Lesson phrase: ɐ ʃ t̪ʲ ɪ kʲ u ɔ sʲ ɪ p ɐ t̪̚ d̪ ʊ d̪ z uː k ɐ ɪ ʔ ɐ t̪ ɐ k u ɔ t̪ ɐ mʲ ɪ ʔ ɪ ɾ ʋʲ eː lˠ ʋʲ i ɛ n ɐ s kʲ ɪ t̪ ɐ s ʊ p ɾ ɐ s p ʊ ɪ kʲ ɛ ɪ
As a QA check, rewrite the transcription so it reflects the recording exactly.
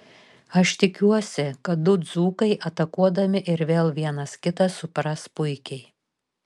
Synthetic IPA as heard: ɐ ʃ t̪ʲ ɪ kʲ u ɔ sʲ ɪ k ɐ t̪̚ d̪ ʊ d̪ z uː k ɐ ɪ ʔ ɐ t̪ ɐ k u ɔ d̪ ɐ mʲ ɪ ʔ ɪ ɾ ʋʲ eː lˠ ʋʲ i ɛ n ɐ s kʲ ɪ t̪ ɐ s ʊ p ɾ ɐ s p ʊ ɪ kʲ ɛ ɪ